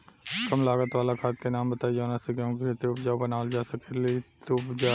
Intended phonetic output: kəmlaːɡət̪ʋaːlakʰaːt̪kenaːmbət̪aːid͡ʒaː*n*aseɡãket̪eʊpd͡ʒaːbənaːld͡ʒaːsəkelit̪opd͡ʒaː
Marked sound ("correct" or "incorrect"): correct